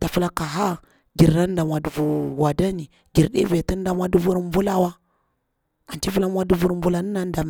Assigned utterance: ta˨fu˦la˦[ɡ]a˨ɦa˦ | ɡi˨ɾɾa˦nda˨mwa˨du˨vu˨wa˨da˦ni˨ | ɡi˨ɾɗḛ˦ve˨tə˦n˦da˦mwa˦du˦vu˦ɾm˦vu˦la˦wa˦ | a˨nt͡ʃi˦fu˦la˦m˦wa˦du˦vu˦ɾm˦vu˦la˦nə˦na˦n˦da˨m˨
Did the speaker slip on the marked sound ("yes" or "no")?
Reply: yes